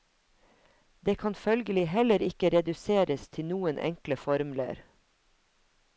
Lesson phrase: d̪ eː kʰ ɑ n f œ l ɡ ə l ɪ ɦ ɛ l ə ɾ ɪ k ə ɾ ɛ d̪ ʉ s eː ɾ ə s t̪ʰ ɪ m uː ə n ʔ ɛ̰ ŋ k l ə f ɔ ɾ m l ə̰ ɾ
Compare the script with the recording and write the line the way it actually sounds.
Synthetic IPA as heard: d̪ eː kʰ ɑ n f œ l ɡ ə l ɪ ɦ ɛ l ə ɾ ɪ k ə ɾ ɛ d̪ ʉ s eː ɾ ə s t̪ʰ ɪ n uː ə n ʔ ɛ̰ ŋ k l ə f ɔ ɾ m l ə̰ ɾ